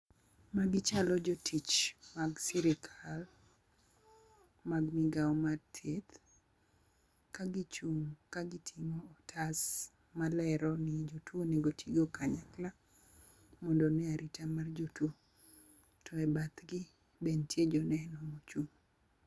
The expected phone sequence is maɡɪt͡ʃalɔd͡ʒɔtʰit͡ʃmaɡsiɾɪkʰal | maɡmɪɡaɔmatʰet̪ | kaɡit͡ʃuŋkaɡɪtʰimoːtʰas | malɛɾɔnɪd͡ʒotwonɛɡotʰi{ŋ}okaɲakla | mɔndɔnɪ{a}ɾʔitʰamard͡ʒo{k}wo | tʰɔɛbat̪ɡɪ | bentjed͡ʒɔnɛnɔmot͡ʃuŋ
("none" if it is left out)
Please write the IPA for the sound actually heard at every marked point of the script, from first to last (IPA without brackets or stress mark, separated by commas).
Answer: ɡ, a, t